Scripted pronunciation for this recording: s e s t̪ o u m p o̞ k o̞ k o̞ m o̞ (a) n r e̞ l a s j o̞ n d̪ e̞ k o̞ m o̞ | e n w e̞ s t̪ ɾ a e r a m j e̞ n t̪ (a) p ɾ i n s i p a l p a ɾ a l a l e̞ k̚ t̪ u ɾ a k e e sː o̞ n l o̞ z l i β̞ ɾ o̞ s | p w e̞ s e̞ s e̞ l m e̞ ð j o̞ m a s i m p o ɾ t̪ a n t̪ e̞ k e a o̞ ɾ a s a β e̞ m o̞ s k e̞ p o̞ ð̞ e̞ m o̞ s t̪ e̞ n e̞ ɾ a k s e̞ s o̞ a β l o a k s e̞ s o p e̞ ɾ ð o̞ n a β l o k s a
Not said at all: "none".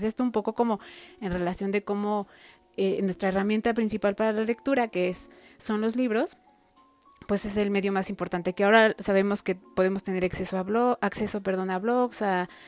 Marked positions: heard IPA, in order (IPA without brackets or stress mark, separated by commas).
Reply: e, a